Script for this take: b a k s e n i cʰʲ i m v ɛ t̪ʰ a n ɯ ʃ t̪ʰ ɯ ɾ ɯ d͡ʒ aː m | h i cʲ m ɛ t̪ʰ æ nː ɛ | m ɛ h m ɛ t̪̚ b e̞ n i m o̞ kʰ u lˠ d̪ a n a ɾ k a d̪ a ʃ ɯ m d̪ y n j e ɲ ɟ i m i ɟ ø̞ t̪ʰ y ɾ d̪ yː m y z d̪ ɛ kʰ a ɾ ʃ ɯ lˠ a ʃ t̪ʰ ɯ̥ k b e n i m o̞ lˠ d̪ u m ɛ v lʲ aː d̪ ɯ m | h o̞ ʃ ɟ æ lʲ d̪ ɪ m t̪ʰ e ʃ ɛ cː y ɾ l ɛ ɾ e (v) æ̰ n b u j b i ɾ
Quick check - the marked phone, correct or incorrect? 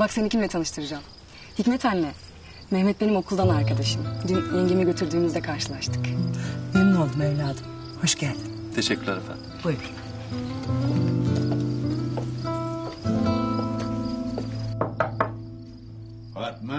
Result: incorrect